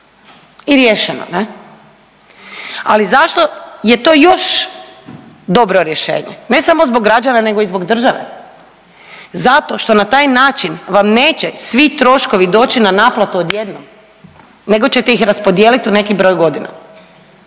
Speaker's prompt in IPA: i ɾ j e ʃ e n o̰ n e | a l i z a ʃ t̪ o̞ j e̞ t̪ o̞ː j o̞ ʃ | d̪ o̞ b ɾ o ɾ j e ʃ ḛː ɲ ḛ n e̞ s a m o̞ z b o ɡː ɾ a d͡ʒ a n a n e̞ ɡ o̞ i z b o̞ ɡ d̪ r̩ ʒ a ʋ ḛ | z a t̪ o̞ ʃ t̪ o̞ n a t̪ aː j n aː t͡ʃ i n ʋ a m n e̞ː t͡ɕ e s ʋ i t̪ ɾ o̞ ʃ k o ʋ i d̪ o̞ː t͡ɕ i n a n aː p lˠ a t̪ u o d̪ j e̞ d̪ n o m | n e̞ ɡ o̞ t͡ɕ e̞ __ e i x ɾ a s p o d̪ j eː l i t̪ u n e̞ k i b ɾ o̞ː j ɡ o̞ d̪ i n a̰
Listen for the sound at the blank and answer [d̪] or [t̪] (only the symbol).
t̪